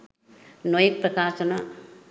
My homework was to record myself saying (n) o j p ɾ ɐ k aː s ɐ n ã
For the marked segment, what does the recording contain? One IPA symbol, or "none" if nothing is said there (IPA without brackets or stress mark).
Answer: n